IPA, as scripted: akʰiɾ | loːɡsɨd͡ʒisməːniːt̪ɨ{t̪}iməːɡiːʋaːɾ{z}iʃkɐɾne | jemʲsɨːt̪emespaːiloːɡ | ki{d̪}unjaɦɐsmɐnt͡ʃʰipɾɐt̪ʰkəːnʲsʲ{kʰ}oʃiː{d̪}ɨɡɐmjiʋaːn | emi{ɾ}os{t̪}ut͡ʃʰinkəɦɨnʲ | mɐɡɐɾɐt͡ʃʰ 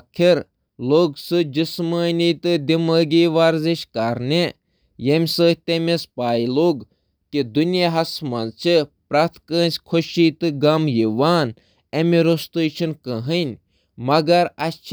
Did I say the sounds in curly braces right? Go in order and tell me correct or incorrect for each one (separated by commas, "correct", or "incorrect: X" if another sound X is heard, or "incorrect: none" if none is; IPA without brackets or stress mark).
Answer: incorrect: d̪, correct, correct, correct, incorrect: t̪, correct, correct